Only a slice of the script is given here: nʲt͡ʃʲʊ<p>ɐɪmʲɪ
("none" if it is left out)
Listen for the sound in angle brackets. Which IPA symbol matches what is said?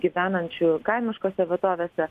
k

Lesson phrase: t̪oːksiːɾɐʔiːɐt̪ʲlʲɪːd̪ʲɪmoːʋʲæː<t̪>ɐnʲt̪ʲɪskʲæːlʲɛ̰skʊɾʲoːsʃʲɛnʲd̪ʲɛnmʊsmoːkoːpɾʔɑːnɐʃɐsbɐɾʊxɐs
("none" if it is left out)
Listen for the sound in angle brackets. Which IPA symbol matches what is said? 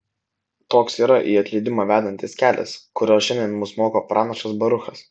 d̪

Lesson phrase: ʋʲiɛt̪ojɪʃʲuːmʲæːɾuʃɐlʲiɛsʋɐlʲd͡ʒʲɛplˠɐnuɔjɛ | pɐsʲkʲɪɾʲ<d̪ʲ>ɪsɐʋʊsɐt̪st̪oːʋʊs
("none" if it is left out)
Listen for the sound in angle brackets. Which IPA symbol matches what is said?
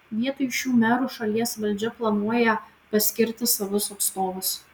t̪ʲ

